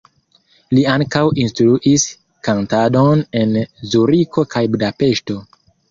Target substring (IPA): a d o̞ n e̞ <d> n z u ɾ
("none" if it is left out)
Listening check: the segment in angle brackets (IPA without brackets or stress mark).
none